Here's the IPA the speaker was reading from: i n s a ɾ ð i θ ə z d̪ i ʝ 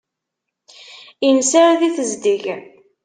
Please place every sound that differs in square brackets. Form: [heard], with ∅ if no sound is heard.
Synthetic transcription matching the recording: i n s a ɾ ð i θ ə z d̪ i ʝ